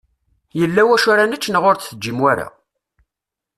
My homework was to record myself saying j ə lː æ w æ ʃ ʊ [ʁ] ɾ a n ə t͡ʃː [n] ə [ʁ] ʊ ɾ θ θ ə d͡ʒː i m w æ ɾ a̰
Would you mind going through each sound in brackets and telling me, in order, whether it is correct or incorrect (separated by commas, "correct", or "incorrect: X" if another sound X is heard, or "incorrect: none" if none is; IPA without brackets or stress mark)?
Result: incorrect: none, correct, correct